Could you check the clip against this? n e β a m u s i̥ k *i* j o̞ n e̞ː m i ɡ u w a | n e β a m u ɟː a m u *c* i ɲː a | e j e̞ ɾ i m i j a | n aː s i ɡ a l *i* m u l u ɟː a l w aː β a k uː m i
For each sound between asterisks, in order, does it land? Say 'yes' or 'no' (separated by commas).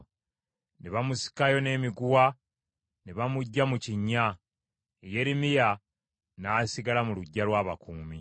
no, yes, no